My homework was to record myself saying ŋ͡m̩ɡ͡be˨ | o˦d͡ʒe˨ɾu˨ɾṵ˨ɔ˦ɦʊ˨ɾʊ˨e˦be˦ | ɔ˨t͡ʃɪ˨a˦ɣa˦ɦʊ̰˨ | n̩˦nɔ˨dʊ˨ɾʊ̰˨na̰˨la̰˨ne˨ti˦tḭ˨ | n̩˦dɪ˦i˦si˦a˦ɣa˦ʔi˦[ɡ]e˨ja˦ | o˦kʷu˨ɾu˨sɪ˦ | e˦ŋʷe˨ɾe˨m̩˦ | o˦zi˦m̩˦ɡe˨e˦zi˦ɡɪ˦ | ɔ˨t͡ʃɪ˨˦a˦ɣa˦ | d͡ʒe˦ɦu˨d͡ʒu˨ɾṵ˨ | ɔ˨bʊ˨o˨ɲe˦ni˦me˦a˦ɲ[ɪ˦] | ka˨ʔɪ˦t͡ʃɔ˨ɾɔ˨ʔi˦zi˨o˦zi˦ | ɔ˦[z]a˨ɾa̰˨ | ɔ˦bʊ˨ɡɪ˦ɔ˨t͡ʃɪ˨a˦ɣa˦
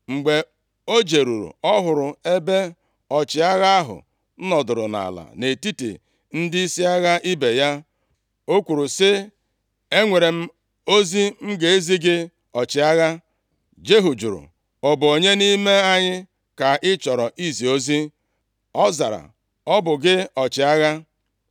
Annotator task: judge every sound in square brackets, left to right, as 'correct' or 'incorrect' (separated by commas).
incorrect, correct, correct